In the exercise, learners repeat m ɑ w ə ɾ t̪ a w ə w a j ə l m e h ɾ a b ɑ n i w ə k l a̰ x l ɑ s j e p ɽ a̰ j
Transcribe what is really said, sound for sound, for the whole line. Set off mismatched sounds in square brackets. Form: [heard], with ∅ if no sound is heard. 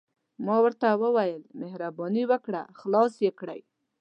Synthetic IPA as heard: m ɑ w ə ɾ t̪ a w ə w a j ə l m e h ɾ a b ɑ n i w ə k [ɽ] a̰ x l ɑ s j e [k] ɽ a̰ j